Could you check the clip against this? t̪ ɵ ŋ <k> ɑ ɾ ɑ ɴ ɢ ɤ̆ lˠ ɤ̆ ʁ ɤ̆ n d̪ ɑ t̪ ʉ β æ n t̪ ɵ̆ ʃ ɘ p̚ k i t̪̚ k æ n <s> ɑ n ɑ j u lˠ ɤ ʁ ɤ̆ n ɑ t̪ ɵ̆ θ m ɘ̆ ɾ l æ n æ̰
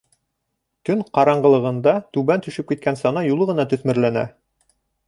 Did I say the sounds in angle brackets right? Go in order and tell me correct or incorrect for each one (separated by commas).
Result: incorrect, correct